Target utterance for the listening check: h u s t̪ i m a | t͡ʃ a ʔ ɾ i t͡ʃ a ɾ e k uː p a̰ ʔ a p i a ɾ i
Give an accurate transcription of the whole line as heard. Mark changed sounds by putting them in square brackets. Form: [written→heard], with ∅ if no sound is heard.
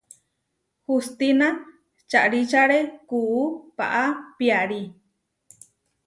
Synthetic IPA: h u s t̪ i [m→n] a | t͡ʃ a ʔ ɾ i t͡ʃ a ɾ e k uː p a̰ ʔ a p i a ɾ i

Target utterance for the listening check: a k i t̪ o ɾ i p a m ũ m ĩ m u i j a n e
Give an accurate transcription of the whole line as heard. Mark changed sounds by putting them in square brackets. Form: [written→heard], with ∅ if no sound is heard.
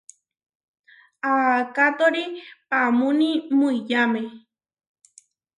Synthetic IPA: a k [i→a] t̪ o ɾ i p a m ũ [m→n] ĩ m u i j a [n→m] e

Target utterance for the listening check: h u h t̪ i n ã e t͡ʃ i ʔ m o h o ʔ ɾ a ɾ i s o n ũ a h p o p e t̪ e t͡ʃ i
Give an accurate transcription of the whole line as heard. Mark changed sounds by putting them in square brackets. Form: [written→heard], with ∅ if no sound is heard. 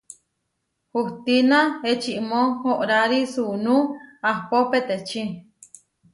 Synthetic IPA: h u h t̪ i n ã e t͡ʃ i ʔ m o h o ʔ ɾ a ɾ i s [o→u] n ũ a h p o p e t̪ e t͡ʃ i

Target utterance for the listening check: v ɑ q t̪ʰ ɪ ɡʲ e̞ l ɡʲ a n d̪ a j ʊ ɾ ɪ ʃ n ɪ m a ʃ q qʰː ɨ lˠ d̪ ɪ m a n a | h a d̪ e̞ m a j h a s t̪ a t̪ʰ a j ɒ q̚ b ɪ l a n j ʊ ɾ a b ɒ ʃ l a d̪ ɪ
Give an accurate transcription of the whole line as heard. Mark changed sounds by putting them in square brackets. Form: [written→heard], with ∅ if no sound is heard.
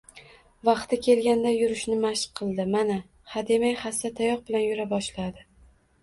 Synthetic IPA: v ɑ q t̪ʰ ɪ [ɡʲ→kʲ] e̞ l ɡʲ a n d̪ a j ʊ ɾ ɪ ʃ n ɪ m a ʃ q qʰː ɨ lˠ d̪ ɪ m a n a | h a d̪ e̞ m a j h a s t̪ a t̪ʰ a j ɒ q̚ b ɪ l a n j ʊ ɾ a b ɒ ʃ l a d̪ ɪ

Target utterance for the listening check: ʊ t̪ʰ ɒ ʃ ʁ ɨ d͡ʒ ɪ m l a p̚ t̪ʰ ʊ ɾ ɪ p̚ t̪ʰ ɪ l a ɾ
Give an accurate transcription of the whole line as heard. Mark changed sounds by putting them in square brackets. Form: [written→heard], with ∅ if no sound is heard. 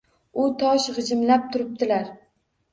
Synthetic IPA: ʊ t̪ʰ ɒ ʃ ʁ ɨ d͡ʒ ɪ m l a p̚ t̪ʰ ʊ ɾ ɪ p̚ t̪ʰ ɪ l a ɾ

